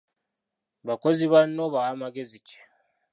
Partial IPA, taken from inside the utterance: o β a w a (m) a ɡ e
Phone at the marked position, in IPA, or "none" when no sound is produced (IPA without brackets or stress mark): m